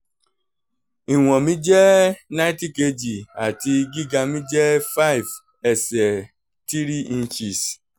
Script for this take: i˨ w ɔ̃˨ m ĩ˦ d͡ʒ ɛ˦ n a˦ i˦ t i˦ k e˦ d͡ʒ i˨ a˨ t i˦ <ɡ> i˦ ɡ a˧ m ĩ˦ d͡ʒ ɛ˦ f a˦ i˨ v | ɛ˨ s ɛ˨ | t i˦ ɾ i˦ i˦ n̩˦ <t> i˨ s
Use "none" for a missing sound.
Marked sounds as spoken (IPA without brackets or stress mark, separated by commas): ɡ, t͡ʃ